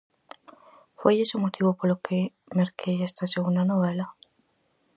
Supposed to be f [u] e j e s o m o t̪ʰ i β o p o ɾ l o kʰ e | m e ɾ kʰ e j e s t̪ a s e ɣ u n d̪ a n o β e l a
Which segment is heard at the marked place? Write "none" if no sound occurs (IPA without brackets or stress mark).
w